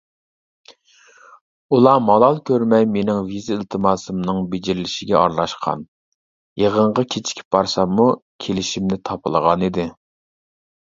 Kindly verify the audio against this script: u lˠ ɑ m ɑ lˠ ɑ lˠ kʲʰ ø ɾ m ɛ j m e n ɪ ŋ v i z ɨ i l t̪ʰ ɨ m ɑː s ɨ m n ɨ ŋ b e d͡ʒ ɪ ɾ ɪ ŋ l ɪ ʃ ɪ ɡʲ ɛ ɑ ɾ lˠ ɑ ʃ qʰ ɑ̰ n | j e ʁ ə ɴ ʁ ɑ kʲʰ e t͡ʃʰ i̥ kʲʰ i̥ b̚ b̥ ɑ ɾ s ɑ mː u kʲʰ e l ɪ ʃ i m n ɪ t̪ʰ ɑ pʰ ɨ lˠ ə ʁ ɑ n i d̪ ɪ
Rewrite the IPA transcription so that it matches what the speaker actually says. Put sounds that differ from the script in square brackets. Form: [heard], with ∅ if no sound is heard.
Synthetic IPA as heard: u lˠ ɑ m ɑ lˠ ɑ lˠ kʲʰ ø ɾ m ɛ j m e n ɪ ŋ v i z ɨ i l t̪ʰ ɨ m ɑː s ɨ m n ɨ ŋ b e d͡ʒ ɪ ɾ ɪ [∅] l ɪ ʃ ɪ ɡʲ ɛ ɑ ɾ lˠ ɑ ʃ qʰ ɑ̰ n | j e ʁ ə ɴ ʁ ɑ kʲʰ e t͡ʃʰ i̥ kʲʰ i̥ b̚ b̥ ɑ ɾ s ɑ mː u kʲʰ e l ɪ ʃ i m n ɪ t̪ʰ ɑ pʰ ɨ lˠ ə ʁ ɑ n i d̪ ɪ